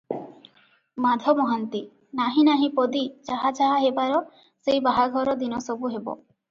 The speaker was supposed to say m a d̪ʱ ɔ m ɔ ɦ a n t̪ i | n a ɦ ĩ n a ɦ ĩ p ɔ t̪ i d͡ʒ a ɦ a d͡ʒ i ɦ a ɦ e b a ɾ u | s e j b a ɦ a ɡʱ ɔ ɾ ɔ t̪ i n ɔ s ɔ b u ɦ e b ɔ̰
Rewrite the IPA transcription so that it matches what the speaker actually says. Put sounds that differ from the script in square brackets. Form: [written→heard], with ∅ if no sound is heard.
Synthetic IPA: m a d̪ʱ ɔ m ɔ ɦ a n t̪ i | n a ɦ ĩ n a ɦ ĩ p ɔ [t̪→d̪] i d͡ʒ a ɦ a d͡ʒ [i→a] ɦ a ɦ e b a ɾ [u→ɔ] | s e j b a ɦ a ɡʱ ɔ ɾ ɔ [t̪→d̪] i n ɔ s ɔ b u ɦ e b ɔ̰